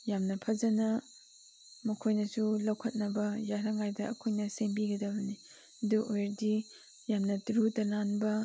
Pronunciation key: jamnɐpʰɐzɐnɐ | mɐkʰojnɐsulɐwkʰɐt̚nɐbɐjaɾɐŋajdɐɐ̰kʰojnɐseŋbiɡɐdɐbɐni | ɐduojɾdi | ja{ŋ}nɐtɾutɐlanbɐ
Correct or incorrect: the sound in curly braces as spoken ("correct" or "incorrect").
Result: incorrect